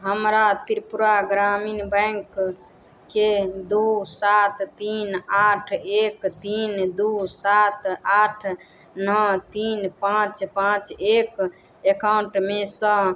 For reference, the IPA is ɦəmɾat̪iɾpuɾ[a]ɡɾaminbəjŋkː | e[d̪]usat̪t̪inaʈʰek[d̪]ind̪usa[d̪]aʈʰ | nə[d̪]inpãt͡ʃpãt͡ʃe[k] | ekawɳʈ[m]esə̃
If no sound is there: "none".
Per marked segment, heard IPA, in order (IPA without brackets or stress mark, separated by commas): a, d̪, t̪, t̪, t̪, k, m